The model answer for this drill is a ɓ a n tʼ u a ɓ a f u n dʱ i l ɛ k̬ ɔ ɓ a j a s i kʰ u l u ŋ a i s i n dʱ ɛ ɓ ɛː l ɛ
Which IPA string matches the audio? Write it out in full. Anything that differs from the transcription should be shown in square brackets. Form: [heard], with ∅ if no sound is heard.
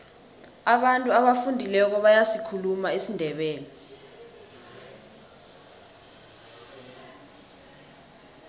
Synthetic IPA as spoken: a ɓ a n tʼ u a ɓ a f u n dʱ i l ɛ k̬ ɔ ɓ a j a s i kʰ u l u [m] a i s i n dʱ ɛ ɓ ɛː l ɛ